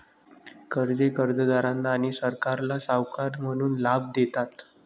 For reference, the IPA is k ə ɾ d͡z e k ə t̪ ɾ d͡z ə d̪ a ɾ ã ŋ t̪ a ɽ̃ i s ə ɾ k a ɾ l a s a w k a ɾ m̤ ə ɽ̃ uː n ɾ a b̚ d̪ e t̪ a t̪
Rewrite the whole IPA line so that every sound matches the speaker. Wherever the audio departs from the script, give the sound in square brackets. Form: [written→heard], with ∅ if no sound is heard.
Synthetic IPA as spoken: k ə ɾ d͡z e k ə [t̪→∅] ɾ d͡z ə d̪ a ɾ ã [ŋ→n] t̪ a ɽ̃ i s ə ɾ k a ɾ l a s a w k a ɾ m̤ ə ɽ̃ uː n [ɾ→l] a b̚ d̪ e t̪ a t̪